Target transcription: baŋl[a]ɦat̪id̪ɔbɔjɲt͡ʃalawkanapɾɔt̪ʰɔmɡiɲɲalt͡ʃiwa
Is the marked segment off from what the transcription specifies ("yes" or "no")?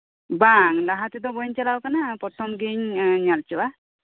no